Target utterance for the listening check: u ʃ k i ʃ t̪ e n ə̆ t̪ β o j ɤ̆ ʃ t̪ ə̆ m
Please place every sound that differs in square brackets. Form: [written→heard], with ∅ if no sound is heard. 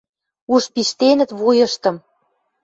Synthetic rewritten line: u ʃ [k→p] i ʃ t̪ e n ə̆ t̪ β [o→u] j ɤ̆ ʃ t̪ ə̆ m